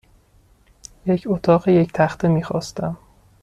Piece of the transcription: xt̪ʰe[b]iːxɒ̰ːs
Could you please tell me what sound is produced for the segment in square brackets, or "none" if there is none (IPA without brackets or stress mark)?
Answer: m